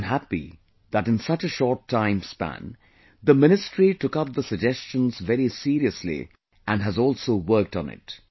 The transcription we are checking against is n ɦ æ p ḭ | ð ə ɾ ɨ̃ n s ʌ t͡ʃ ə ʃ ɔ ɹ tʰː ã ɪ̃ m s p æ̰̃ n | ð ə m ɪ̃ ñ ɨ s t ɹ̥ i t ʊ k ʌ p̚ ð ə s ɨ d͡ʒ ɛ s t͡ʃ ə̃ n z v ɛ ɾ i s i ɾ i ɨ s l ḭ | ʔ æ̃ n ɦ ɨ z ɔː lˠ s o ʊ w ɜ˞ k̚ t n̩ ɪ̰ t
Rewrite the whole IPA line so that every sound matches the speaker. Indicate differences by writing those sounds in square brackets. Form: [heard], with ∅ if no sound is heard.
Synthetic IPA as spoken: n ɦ æ p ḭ | ð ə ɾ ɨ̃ n s ʌ t͡ʃ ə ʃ ɔ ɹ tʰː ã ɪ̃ m s p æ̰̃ n | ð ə m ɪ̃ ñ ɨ s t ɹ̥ i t ʊ k ʌ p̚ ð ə s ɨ d͡ʒ ɛ s t͡ʃ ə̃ n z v ɛ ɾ i s i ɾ i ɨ s l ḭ | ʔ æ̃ n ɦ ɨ z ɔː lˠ s o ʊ w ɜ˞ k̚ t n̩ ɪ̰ t